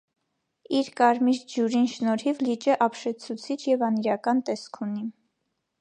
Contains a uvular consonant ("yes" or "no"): no